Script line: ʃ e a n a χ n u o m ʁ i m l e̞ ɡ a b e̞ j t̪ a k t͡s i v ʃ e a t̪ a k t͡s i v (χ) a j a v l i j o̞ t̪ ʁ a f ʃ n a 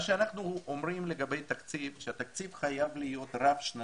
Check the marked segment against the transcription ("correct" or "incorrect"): correct